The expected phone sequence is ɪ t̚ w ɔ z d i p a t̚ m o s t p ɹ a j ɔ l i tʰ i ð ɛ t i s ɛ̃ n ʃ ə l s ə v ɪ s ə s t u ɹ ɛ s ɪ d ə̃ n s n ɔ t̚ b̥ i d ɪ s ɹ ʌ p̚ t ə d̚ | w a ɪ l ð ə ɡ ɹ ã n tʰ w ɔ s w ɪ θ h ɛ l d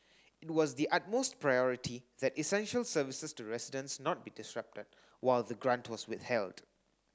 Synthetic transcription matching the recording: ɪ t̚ w ɔ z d i ʔ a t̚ m o s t p ɹ a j ɔ ɹ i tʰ i ð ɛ t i s ɛ̃ n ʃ ə l s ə v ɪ s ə s t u ɹ ɛ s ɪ d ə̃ n s n ɔ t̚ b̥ i d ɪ s ɹ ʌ p̚ t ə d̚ | w a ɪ l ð ə ɡ ɹ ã n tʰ w ɔ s w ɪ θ h ɛ l d